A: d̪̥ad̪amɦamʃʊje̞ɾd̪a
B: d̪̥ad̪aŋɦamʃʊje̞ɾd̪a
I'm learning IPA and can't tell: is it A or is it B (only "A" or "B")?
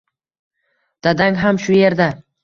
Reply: B